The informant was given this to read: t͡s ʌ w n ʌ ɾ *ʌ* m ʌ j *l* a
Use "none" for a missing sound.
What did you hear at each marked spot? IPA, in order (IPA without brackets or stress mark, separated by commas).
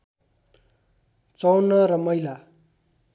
ʌ, l